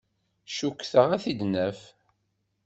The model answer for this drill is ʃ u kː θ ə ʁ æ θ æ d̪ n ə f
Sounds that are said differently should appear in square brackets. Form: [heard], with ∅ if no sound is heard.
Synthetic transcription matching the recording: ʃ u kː θ ə ʁ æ θ [i] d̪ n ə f